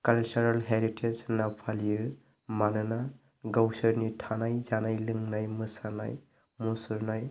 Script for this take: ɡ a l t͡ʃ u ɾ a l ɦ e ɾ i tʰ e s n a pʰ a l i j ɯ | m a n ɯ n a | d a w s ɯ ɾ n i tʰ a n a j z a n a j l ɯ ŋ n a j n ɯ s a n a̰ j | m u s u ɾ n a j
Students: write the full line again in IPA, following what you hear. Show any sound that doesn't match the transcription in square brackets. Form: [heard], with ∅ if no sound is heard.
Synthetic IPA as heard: [k] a l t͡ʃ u ɾ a l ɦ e ɾ i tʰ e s n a pʰ a l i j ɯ | m a n ɯ n a | [ɡ] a w s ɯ ɾ n i tʰ a n a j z a n a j l ɯ ŋ n a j [m] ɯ s a n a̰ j | m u s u ɾ n a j